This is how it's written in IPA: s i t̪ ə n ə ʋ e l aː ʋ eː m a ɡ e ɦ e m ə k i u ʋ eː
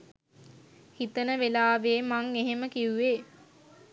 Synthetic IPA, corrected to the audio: h i t̪ ə n ə ʋ e l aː ʋ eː m a ŋ e ɦ e m ə k i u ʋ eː